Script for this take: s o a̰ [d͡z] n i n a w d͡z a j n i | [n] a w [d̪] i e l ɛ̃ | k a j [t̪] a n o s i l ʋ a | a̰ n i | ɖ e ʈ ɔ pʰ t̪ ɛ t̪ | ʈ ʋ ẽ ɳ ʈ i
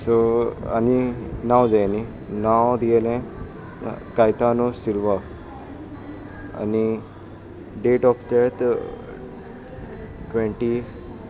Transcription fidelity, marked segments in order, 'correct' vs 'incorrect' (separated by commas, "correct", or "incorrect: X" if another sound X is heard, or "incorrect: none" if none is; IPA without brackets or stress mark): incorrect: none, correct, correct, correct